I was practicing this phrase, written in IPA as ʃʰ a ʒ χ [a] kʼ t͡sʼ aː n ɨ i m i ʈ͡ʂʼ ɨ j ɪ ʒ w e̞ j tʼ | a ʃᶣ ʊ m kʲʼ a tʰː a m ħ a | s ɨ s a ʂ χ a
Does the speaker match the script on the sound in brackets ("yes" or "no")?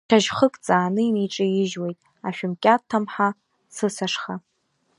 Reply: no